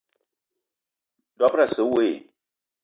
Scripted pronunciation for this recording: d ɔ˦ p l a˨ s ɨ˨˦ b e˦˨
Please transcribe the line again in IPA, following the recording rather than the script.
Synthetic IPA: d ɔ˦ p ɾ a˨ s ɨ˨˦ w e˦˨